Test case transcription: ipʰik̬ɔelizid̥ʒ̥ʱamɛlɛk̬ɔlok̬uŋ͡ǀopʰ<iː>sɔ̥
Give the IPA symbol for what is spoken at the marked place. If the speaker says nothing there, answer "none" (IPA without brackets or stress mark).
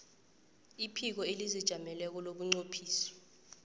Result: iː